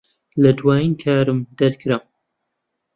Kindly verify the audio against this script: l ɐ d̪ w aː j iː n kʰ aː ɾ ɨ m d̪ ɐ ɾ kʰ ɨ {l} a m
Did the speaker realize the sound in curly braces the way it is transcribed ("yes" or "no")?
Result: no